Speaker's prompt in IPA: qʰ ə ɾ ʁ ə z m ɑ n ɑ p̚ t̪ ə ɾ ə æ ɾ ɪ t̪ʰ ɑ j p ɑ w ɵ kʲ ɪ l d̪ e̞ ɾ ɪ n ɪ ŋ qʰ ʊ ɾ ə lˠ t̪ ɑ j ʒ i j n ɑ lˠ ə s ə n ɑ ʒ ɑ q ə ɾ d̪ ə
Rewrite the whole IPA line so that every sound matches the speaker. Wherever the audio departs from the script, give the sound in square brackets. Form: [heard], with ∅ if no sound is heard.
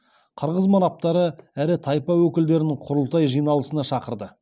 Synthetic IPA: qʰ ə ɾ ʁ ə z m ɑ n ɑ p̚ t̪ [ɑ] ɾ ə æ ɾ ɪ t̪ʰ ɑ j p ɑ w ɵ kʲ ɪ l d̪ e̞ ɾ ɪ n ɪ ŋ qʰ ʊ ɾ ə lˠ t̪ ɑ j ʒ i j n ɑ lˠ ə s ə n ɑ [ʃ] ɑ q ə ɾ d̪ ə